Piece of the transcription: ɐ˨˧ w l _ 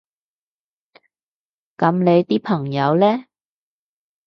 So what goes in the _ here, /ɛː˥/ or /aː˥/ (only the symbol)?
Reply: ɛː˥